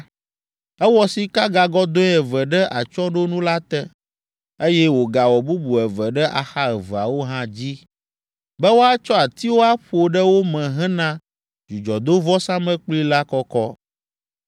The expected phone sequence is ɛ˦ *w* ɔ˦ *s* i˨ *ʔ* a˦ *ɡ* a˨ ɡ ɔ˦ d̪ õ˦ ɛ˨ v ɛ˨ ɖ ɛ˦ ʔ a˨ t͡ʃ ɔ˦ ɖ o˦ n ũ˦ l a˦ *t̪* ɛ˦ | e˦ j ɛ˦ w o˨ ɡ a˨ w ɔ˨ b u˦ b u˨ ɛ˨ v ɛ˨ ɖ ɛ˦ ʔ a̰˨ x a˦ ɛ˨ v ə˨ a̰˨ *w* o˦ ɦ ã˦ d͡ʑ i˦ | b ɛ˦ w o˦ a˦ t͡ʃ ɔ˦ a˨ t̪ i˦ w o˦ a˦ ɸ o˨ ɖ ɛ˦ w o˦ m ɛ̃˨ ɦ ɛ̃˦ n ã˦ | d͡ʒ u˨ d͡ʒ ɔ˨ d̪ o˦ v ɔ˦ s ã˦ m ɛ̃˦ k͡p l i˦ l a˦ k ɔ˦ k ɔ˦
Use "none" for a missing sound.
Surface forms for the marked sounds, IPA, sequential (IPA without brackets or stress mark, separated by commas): w, s, k, ɡ, t̪, w